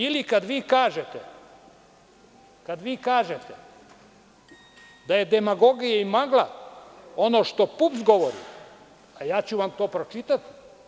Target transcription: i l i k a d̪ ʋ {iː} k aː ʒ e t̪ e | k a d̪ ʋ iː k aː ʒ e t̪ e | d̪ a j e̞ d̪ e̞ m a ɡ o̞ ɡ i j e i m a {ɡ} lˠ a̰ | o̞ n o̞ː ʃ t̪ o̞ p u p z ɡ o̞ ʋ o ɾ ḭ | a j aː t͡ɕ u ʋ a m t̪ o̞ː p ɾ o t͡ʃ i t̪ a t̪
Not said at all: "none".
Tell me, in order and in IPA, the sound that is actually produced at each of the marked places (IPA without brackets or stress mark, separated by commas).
iː, ɡ